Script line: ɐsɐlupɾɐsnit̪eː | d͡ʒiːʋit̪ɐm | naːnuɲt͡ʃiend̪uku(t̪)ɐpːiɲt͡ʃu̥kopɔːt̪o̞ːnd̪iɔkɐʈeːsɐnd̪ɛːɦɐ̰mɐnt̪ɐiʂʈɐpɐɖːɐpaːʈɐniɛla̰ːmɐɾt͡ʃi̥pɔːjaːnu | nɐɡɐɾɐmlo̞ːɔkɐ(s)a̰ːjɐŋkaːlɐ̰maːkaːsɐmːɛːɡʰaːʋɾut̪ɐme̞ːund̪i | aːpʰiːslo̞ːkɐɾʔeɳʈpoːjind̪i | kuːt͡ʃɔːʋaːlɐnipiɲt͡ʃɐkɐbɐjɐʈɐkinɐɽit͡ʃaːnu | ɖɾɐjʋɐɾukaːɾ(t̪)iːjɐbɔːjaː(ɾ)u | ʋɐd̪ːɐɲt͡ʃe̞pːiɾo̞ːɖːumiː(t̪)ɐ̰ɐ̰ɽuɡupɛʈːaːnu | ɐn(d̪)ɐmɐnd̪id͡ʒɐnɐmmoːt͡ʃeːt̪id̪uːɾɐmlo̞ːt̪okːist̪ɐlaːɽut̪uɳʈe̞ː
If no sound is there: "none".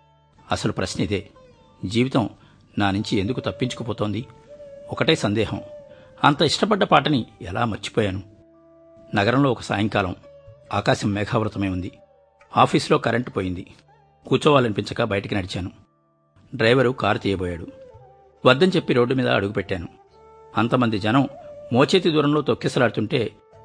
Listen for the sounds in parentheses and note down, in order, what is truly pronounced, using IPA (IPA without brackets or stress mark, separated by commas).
t̪, s, t̪, ɽ, d̪, t̪